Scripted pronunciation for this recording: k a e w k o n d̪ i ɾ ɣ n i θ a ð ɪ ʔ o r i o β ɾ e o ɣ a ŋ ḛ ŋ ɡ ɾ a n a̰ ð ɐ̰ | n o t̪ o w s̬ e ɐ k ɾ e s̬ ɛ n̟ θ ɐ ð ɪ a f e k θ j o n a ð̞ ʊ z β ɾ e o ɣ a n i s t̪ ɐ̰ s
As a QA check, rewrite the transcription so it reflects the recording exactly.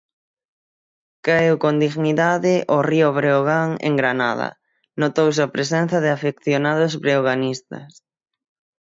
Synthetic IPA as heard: k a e w k o n d̪ i ɣ n i ð a ð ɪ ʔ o r i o β ɾ e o ɣ a ŋ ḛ ŋ ɡ ɾ a n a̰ ð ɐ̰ | n o t̪ o w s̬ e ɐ p ɾ e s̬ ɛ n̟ θ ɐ ð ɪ a f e k θ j o n a ð̞ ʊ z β ɾ e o ɣ a n i s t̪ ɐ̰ s